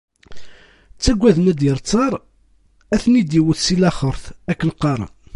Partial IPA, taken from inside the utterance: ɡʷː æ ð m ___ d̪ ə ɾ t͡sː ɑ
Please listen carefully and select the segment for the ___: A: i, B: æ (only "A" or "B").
B